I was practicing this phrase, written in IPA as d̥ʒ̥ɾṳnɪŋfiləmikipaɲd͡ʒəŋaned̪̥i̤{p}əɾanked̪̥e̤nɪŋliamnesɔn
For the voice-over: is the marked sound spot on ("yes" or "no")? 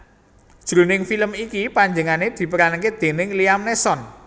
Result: yes